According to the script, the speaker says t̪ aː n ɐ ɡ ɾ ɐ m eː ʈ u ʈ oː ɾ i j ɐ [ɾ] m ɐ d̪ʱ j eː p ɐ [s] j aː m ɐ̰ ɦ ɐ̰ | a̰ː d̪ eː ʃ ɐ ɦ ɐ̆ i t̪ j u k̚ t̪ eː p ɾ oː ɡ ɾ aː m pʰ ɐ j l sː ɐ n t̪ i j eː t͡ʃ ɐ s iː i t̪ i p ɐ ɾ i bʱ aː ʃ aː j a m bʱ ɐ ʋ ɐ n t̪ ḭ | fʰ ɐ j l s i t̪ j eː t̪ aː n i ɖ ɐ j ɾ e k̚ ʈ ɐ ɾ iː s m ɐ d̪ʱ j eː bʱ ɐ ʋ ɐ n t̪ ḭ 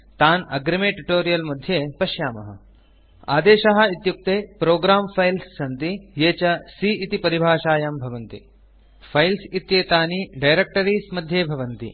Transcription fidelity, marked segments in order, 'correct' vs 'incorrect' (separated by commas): incorrect, incorrect